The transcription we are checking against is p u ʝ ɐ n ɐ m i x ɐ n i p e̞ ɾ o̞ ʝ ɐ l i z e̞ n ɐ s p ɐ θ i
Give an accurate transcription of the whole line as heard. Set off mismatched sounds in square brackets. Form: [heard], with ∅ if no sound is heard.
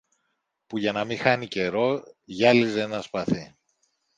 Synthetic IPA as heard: p u ʝ ɐ n ɐ m i x ɐ n i [c] e̞ ɾ o̞ ʝ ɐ l i z e̞ n ɐ s p ɐ θ i